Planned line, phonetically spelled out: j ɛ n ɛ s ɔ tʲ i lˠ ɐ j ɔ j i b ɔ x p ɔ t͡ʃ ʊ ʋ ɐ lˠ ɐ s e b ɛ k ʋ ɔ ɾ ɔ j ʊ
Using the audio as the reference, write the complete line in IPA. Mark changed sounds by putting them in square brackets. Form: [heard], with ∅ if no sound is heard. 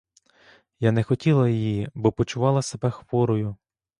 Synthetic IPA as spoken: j [a] n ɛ [x] ɔ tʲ i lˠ ɐ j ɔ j i b ɔ [∅] p ɔ t͡ʃ ʊ ʋ [ɑ] lˠ ɐ s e b ɛ [x] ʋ ɔ ɾ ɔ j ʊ

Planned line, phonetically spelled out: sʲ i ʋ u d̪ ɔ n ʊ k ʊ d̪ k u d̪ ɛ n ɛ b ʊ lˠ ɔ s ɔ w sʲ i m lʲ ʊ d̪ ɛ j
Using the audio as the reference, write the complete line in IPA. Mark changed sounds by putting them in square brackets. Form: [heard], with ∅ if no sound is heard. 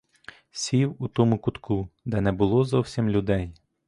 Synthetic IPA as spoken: sʲ i [w] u [t̪] ɔ [m] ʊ k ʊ [t̪] k u d̪ ɛ n ɛ b ʊ lˠ ɔ [z] ɔ w sʲ i m lʲ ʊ d̪ ɛ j

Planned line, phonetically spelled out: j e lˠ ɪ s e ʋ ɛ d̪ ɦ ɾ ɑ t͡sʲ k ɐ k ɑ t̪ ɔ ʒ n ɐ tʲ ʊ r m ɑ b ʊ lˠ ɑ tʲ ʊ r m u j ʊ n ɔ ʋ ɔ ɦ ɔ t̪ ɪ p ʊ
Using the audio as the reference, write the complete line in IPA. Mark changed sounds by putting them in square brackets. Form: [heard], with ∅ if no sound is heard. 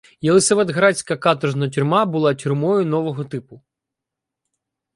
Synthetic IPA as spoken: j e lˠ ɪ s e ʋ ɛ d̪ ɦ ɾ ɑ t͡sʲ k ɐ k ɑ t̪ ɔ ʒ n ɐ tʲ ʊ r m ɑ b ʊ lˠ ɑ tʲ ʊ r m [ɔ] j ʊ n ɔ ʋ ɔ ɦ ɔ t̪ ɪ p ʊ

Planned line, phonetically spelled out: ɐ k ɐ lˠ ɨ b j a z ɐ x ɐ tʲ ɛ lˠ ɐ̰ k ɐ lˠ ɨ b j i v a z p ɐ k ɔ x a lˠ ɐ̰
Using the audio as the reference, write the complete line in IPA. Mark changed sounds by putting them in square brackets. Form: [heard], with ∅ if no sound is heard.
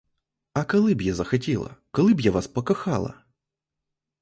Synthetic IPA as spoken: ɐ k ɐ lˠ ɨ b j a z ɐ x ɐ tʲ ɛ lˠ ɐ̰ k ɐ lˠ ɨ b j [a] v a [s] p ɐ k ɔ x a lˠ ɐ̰

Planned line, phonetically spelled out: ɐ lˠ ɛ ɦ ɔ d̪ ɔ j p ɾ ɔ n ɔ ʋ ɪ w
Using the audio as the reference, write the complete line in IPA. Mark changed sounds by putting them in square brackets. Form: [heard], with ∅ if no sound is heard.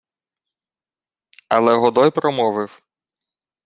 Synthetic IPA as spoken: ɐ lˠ ɛ ɦ ɔ d̪ ɔ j p ɾ ɔ [m] ɔ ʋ ɪ w

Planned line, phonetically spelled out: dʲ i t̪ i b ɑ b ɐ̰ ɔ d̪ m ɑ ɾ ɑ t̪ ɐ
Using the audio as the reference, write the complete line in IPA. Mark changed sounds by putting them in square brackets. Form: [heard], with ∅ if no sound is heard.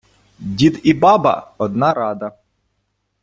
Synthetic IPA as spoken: dʲ i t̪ i b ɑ b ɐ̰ ɔ d̪ [n] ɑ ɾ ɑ [d̪] ɐ

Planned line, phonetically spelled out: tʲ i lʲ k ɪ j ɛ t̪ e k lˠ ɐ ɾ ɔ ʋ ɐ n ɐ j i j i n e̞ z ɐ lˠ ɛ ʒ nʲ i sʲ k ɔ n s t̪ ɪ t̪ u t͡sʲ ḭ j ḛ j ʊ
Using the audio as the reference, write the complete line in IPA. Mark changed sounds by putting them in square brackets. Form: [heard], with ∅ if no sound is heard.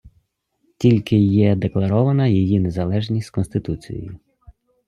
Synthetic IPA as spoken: tʲ i lʲ k ɪ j ɛ [d̪] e k lˠ ɐ ɾ ɔ ʋ ɐ n ɐ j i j i n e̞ z ɐ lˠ ɛ ʒ nʲ i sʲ k ɔ n s t̪ ɪ t̪ u t͡sʲ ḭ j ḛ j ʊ

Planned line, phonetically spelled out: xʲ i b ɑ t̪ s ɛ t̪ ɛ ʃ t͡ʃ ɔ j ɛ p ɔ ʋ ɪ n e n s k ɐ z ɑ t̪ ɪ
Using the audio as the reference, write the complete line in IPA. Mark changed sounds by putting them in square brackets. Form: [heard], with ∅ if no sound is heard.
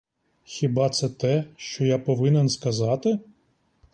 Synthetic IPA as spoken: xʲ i b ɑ t̪ s ɛ t̪ ɛ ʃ t͡ʃ ɔ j [a] p ɔ ʋ ɪ n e n s k ɐ z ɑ t̪ ɪ

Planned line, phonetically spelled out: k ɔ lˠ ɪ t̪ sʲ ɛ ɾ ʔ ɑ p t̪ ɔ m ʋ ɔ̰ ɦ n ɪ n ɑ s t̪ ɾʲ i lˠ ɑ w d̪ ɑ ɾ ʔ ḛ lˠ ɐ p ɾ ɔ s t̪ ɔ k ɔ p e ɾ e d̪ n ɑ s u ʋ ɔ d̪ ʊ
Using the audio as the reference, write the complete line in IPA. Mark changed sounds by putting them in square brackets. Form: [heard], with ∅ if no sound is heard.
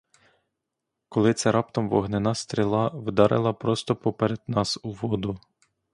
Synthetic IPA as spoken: k ɔ lˠ ɪ t̪ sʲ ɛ ɾ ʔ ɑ p t̪ ɔ m ʋ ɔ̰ ɦ n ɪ n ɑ s t̪ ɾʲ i lˠ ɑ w d̪ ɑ ɾ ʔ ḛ lˠ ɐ p ɾ ɔ s t̪ ɔ [p] ɔ p e ɾ e d̪ n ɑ s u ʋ ɔ d̪ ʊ

